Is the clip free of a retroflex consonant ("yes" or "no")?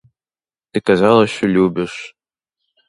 no